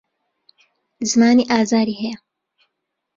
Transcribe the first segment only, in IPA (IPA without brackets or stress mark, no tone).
z